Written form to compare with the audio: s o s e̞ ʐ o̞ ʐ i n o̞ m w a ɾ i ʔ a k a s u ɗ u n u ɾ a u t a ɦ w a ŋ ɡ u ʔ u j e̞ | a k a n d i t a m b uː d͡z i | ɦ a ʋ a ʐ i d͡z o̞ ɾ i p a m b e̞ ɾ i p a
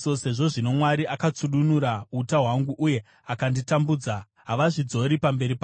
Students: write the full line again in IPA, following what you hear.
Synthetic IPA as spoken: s o s e̞ ʐ o̞ ʐ i n o̞ m w a ɾ i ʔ a k a t͡s u ɗ u n u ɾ a u t a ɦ w a ŋ ɡ u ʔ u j e̞ | a k a n d i t a m b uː d͡z a | ɦ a ʋ a ʐ i d͡z o̞ ɾ i p a m b e̞ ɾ i p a

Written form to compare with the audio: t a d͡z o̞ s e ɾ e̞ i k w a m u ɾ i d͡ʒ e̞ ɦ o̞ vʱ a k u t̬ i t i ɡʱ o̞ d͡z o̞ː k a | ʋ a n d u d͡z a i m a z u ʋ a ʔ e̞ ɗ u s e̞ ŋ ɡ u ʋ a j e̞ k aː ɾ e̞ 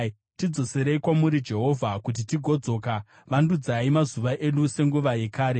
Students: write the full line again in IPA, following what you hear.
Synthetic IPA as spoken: t i d͡z o̞ s e ɾ e̞ i k w a m u ɾ i d͡ʒ e̞ ɦ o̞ vʱ a k u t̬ i t i ɡʱ o̞ d͡z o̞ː k a | ʋ a n d u d͡z a i m a z u ʋ a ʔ e̞ ɗ u s e̞ ŋ ɡ u ʋ a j e̞ k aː ɾ e̞

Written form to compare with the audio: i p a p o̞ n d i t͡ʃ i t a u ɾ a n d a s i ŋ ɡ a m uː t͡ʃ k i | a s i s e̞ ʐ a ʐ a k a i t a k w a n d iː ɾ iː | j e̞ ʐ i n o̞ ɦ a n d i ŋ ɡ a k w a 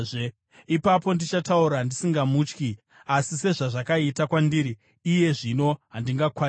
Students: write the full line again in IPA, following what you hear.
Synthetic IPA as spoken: i p a p o̞ n d i t͡ʃ a t a u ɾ a n d i s i ŋ ɡ a m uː t͡ʃ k i | a s i s e̞ ʐ a ʐ a k a i t a k w a n d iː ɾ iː | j e̞ ʐ i n o̞ ɦ a n d i ŋ ɡ a k w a

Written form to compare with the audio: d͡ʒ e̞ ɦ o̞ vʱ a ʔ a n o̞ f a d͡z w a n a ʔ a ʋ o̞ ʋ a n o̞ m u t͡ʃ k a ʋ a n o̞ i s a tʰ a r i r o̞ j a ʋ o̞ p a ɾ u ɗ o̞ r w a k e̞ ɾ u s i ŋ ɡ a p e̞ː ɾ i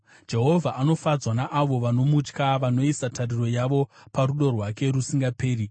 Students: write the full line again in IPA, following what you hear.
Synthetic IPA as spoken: d͡ʒ e̞ ɦ o̞ vʱ a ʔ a n o̞ f a d͡z w a n a ʔ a ʋ o̞ ʋ a n o̞ m u t͡ʃ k a ʋ a n o̞ i s a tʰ a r i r o̞ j a ʋ o̞ p a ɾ u ɗ o̞ r w a k e̞ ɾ u s i ŋ ɡ a p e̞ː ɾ i

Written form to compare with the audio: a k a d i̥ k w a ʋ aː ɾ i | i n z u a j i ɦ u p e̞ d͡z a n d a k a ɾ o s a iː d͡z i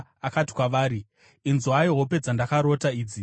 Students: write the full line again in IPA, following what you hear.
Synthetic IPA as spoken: a k a t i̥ k w a ʋ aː ɾ i | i n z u a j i ɦ o p e̞ d͡z a n d a k a ɾ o t a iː d͡z i

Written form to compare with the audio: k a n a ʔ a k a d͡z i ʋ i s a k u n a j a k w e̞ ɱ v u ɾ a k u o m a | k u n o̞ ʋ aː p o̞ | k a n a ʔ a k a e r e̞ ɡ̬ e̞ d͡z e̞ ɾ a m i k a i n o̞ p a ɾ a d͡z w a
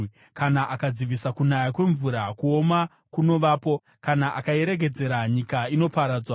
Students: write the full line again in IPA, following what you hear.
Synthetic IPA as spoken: k a n a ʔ a k a d͡z i ʋ i s a k u n a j a k w e̞ ɱ v u ɾ a k u o m a | k u n o̞ ʋ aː p o̞ | k a n a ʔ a k a e ɾ e̞ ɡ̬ e̞ d͡z e̞ ɾ a ɲ i k a i n o̞ p a ɾ a d͡z w a

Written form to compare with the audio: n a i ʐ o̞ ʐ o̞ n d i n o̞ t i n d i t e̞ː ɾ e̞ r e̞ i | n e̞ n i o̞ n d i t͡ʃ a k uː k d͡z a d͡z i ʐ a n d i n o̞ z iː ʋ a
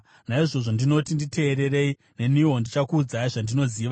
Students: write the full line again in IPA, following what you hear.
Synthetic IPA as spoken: n a i ʐ o̞ ʐ o̞ n d i n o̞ t i n d i t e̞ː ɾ e̞ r e̞ i | n e̞ n i o̞ n d i t͡ʃ a k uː d͡z a i ʐ a n d i n o̞ z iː ʋ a

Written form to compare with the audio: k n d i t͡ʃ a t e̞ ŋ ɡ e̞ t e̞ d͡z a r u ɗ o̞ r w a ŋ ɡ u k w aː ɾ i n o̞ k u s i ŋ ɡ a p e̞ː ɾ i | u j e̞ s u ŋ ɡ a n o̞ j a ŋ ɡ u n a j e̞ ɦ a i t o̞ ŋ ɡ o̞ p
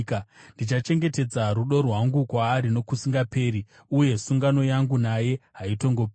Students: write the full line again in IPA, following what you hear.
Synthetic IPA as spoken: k n d i t͡ʃ a t͡ʃ e̞ ŋ ɡ e̞ t e̞ d͡z a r u ɗ o̞ r w a ŋ ɡ u k w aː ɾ i n o̞ k u s i ŋ ɡ a p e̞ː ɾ i | u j e̞ s u ŋ ɡ a n o̞ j a ŋ ɡ u n a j e̞ ɦ a i t o̞ ŋ ɡ o̞ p

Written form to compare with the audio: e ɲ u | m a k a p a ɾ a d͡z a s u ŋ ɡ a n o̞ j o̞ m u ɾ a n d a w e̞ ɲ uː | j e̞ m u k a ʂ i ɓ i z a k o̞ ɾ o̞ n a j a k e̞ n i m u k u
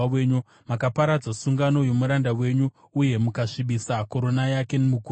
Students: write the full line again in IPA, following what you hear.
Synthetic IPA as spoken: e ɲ u | m a k a p a ɾ a d͡z a s u ŋ ɡ a n o̞ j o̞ m u ɾ a n d a w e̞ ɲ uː | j e̞ m u k a ʂ i ɓ i s a k o̞ ɾ o̞ n a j a k e̞ n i m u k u

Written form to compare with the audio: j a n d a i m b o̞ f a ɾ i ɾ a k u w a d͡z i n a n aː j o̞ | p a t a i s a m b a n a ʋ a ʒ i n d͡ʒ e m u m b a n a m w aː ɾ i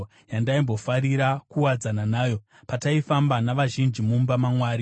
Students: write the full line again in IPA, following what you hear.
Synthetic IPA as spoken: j a n d a i m b o̞ f a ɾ i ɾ a k u w a d͡z a n a n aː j o̞ | p a t a i f a m b a n a ʋ a ʒ i n d͡ʒ i m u m b a m a m w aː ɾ i

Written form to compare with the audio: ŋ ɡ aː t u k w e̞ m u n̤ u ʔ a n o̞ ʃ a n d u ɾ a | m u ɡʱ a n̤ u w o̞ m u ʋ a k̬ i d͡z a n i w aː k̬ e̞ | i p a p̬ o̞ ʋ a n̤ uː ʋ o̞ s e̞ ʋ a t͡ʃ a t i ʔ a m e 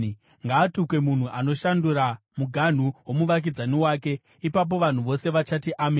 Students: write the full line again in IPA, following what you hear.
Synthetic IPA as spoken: ŋ ɡ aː t u k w e̞ m u n̤ u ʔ a n o̞ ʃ a n d u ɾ a | m u ɡʱ a n̤ u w o̞ m u ʋ a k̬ i d͡z a n i w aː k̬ e̞ | i p a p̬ o̞ ʋ a n̤ u ʋ o̞ s e̞ ʋ a t͡ʃ a t i ʔ a m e

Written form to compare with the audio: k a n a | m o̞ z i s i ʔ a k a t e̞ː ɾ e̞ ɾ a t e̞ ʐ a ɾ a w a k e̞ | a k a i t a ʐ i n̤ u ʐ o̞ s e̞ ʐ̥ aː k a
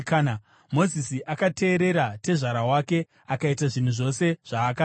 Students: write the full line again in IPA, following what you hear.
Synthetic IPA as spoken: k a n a | m o̞ z i s i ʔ a k a t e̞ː ɾ e̞ ɾ a t e̞ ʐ a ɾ a w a k e̞ | a k a i t a ʐ i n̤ u ʐ o̞ s e̞ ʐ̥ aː k a

